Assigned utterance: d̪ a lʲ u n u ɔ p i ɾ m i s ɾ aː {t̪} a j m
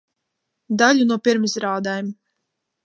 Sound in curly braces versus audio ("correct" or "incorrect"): incorrect